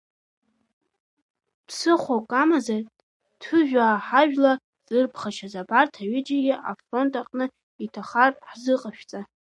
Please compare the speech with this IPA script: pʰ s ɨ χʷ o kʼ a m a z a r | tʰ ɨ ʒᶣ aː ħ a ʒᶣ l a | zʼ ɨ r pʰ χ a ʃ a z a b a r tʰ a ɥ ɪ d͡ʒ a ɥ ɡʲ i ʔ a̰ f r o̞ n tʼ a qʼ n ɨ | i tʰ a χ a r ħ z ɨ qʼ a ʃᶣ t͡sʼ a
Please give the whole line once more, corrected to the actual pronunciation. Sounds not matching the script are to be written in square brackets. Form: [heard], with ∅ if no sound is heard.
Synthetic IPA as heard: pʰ s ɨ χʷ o kʼ a m a z a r | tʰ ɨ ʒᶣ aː ħ a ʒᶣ l a | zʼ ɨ r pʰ χ a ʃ a z a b a r tʰ a ɥ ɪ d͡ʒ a [∅] ɡʲ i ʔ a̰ f r o̞ n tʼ a qʼ n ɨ | i tʰ a χ a r ħ z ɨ qʼ a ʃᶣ t͡sʼ a